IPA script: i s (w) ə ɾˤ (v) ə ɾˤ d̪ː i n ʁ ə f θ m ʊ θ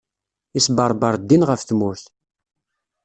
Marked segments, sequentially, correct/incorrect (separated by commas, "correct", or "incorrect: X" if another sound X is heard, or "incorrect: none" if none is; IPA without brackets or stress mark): incorrect: b, incorrect: b